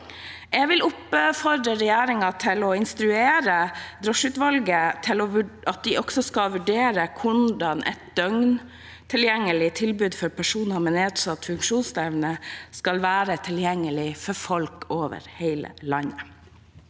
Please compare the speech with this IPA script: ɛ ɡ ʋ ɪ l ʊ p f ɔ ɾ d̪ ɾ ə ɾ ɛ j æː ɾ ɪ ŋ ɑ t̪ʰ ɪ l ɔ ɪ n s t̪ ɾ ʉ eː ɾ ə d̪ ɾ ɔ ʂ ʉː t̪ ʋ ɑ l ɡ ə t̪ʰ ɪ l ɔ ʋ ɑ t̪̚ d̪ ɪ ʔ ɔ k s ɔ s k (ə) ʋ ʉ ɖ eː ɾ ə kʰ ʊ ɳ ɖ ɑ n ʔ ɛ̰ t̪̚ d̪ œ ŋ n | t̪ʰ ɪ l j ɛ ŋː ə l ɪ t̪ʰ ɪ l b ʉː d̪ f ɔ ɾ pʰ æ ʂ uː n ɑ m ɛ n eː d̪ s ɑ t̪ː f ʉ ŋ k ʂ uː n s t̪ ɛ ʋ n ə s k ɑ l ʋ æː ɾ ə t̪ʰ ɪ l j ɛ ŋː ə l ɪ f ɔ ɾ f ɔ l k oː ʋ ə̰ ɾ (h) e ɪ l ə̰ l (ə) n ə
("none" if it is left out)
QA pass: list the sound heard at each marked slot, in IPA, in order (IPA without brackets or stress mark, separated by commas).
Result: ɑ, h, ɑ